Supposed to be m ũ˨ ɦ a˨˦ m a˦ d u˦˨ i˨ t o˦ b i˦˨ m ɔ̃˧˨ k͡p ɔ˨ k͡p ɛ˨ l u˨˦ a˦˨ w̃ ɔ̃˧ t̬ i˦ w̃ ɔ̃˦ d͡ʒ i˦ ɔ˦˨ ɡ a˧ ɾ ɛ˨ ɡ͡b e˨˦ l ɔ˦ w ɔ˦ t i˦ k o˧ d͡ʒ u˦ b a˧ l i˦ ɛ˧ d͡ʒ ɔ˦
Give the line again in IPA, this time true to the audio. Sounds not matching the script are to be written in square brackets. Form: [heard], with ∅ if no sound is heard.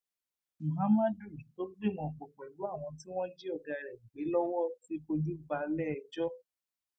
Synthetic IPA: m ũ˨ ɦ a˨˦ m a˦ d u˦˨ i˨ t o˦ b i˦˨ m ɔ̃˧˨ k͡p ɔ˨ k͡p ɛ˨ l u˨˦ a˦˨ w̃ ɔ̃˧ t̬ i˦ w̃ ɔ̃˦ d͡ʒ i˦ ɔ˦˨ ɡ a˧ ɾ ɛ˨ ɡ͡b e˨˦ l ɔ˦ w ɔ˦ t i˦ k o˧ d͡ʒ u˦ b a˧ l [ɛ˦] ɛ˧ d͡ʒ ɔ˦